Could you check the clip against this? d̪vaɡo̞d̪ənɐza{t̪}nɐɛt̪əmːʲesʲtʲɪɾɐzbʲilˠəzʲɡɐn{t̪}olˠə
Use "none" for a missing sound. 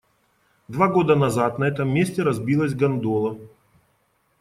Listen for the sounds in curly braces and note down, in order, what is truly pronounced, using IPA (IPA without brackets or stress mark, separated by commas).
t̪, d̪